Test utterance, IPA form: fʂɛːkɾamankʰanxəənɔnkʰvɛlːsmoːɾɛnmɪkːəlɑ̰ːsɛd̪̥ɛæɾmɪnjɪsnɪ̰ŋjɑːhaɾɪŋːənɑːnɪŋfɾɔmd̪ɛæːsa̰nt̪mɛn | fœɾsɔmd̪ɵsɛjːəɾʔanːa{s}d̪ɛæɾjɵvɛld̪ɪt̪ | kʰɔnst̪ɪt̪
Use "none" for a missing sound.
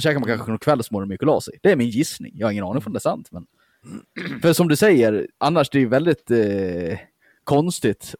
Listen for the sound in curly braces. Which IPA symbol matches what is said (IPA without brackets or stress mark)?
ʂ